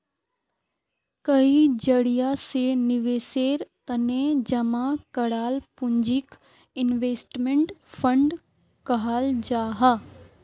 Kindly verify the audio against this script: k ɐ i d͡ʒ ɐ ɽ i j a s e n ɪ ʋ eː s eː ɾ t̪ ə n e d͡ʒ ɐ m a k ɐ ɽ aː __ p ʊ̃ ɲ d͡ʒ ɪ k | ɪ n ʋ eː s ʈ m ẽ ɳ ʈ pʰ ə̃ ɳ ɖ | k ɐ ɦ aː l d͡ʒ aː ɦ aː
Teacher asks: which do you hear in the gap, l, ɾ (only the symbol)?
l